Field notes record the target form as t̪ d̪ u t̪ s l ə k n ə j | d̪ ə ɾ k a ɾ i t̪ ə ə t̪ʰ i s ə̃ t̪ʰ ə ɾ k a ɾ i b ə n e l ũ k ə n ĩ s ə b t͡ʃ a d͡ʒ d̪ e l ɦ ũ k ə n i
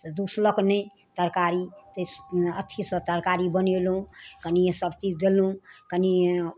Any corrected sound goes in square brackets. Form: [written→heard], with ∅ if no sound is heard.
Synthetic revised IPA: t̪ d̪ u [t̪→∅] s l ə k n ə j | [d̪→t̪] ə ɾ k a ɾ i t̪ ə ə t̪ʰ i s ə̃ [t̪ʰ→t̪] ə ɾ k a ɾ i b ə n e l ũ k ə n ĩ s ə b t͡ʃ [a→i] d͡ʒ d̪ e l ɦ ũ k ə n i